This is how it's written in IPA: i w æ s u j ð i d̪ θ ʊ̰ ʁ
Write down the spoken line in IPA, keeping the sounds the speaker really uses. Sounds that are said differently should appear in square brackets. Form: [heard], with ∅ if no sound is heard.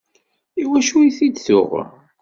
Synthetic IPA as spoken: i w æ [ʃ] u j [θ] i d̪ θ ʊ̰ ʁ